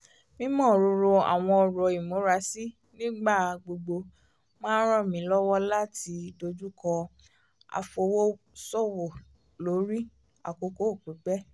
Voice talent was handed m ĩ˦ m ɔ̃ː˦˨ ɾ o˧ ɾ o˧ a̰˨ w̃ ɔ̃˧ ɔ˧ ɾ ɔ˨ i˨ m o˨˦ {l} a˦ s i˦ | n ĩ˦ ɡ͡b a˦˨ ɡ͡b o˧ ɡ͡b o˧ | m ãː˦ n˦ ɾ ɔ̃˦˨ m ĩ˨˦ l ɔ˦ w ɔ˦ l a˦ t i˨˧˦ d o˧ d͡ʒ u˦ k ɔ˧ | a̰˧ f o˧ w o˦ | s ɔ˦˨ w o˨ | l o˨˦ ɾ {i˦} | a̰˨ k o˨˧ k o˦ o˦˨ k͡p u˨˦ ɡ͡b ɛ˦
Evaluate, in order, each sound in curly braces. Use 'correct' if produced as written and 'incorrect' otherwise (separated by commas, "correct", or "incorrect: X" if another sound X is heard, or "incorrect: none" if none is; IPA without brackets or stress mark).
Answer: incorrect: ɾ, correct